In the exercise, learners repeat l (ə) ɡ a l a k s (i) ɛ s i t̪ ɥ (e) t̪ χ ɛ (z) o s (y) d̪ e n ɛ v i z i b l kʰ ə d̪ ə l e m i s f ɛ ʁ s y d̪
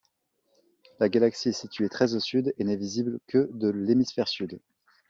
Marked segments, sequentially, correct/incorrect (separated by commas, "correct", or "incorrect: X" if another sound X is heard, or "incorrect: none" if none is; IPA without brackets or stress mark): incorrect: a, correct, correct, correct, correct